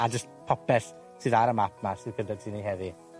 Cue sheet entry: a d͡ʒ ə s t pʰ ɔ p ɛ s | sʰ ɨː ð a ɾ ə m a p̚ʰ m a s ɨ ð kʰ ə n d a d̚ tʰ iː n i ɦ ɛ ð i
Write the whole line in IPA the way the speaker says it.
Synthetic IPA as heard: a d͡ʒ ə s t pʰ ɔ p ɛ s | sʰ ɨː ð a ɾ ə m a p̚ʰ m a s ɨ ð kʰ ə n d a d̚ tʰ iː n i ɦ ɛ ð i